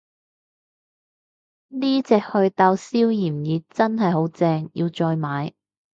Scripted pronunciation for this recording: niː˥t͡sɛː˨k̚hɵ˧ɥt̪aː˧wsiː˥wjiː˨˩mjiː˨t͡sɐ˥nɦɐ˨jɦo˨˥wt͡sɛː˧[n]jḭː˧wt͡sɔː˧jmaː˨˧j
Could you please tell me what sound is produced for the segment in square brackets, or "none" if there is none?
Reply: ŋ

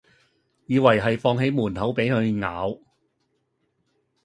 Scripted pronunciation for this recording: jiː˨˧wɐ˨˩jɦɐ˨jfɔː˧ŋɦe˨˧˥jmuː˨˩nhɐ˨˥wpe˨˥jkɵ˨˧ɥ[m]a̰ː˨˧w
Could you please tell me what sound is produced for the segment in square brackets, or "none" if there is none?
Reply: ŋ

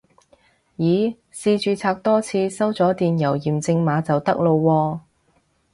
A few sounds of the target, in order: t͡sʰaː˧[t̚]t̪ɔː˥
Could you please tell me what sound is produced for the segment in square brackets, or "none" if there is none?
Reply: k̚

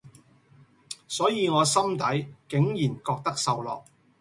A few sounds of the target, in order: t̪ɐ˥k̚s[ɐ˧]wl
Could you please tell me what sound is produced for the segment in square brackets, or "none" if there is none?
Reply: ɐ˧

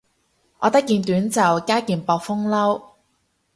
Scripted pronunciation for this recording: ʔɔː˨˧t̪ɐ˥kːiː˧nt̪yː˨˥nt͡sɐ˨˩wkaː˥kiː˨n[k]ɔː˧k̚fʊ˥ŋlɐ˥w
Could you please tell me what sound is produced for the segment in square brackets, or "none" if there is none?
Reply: p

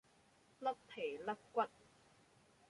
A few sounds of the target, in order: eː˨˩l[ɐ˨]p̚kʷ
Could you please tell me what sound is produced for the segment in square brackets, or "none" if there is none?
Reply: ɐ˥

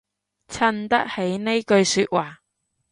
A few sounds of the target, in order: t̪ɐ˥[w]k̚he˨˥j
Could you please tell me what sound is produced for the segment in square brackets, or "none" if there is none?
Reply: none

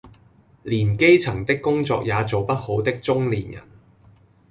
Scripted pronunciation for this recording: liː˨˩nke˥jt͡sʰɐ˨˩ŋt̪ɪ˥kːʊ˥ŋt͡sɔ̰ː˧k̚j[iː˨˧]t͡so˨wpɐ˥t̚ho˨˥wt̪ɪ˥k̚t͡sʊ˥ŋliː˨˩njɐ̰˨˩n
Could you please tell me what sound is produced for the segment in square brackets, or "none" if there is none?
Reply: aː˨˧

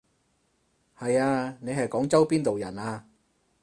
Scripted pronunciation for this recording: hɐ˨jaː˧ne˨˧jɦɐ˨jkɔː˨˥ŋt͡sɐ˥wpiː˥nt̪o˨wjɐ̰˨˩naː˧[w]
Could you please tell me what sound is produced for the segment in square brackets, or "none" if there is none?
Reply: none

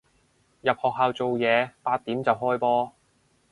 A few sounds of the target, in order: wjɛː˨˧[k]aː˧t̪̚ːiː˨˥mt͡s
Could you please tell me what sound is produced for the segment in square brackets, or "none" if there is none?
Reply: p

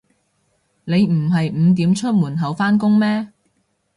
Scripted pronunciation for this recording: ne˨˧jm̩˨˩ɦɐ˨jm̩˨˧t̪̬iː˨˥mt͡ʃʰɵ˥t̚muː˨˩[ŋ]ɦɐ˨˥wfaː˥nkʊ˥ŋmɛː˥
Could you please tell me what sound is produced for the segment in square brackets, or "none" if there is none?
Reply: n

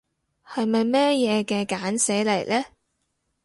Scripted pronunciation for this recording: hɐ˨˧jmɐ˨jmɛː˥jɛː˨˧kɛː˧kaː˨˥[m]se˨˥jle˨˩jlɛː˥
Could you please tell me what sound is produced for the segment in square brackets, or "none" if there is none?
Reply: n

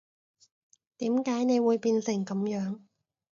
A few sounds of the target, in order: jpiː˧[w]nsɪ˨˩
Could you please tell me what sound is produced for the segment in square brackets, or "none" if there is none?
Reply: none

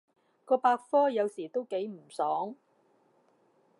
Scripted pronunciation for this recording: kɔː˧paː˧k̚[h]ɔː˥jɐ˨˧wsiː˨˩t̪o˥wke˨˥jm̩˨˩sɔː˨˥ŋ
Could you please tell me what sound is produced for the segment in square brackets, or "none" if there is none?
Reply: f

